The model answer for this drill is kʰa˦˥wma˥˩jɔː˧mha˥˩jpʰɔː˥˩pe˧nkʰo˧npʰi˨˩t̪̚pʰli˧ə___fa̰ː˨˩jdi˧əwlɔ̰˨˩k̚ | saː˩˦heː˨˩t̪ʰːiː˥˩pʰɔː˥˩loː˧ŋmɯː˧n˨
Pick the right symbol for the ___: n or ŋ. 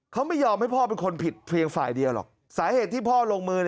ŋ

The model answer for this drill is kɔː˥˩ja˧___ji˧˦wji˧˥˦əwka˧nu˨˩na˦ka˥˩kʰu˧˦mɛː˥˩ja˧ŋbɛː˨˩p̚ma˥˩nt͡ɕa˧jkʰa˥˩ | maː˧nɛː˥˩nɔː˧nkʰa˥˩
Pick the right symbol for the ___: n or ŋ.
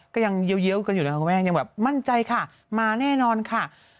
ŋ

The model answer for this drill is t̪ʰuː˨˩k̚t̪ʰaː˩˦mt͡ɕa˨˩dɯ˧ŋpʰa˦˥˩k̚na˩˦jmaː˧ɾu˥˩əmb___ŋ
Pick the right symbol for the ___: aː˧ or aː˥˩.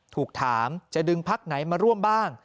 aː˥˩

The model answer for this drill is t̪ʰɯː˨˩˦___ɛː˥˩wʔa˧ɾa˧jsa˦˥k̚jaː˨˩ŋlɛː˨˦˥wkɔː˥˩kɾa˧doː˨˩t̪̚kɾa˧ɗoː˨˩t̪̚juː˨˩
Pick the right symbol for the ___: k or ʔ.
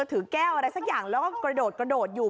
k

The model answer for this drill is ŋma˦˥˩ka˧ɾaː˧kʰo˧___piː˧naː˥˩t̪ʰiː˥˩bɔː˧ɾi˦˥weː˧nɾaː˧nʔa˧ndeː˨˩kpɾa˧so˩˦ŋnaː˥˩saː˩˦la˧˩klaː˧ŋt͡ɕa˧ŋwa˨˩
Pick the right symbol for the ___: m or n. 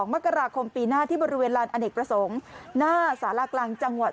m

